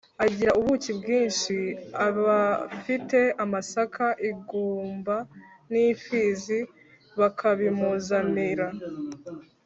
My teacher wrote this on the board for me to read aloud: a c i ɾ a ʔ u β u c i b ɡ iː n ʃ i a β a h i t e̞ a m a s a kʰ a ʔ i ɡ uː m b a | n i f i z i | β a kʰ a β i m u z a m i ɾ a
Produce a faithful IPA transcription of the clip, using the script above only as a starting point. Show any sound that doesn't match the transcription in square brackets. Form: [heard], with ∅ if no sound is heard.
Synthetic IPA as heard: a [ɟ] i ɾ a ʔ u β u c i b ɡ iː n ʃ i a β a [f] i t e̞ a m a s a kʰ a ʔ i ɡ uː m b a | n i f i z i | β a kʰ a β i m u z a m i ɾ a